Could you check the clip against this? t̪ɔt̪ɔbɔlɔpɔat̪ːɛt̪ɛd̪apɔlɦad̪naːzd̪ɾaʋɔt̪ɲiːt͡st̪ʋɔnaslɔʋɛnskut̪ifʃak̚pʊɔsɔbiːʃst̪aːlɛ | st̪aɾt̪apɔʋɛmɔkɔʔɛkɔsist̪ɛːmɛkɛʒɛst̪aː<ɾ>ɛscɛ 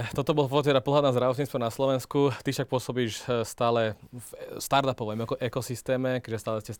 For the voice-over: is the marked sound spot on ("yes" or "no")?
no